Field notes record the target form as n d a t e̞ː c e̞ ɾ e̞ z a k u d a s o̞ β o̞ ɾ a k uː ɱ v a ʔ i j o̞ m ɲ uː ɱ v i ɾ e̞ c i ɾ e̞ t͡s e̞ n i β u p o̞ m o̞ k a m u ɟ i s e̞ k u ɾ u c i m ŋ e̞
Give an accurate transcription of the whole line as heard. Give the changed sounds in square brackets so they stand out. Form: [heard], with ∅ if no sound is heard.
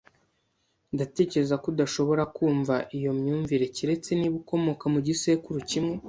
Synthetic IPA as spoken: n d a t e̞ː c e̞ ɾ e̞ z a k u d a [ʃ] o̞ β o̞ ɾ a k uː ɱ v a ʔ i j o̞ m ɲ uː ɱ v i ɾ e̞ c i ɾ e̞ t͡s e̞ n i β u [k] o̞ m o̞ k a m u ɟ i s e̞ k u ɾ u c i m ŋ e̞